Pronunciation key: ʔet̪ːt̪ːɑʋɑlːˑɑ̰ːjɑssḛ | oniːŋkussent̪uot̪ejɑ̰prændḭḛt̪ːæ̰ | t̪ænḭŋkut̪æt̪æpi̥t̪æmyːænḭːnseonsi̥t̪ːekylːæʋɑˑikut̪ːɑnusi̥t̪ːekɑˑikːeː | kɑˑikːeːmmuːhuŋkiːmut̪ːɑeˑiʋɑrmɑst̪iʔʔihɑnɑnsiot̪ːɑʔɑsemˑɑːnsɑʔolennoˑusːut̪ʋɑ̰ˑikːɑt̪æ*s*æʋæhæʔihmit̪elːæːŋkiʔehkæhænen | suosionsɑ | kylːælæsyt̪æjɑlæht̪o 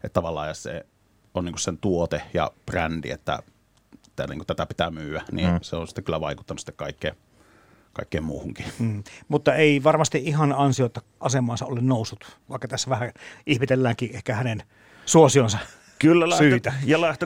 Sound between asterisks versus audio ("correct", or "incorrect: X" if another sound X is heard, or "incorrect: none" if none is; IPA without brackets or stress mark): incorrect: sː